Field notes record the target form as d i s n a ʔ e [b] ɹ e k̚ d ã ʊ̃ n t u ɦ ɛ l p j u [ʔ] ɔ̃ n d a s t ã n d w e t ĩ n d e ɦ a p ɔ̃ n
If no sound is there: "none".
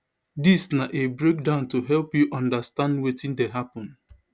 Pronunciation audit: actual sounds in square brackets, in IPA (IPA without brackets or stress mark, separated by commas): b, ʔ